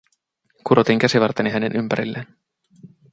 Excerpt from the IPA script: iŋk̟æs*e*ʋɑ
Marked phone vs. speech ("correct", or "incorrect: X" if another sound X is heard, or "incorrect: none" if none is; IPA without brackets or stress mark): incorrect: i